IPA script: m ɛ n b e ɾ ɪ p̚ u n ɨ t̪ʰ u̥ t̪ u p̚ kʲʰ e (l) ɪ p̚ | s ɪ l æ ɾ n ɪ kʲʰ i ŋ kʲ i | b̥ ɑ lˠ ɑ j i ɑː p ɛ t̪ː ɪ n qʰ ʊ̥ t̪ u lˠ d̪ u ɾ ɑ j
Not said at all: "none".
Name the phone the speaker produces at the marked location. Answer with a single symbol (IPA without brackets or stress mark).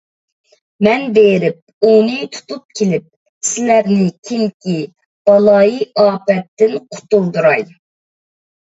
l